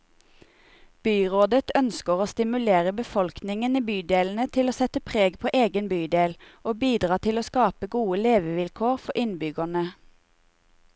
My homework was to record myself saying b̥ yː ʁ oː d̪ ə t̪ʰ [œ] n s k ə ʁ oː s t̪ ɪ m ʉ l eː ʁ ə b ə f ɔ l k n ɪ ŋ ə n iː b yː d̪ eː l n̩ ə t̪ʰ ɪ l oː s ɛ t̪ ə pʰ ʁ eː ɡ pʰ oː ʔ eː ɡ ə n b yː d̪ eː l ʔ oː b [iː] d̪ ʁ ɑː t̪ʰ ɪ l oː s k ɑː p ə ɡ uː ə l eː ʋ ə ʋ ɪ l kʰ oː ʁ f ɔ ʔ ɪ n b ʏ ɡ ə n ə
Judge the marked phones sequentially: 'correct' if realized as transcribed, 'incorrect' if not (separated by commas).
correct, correct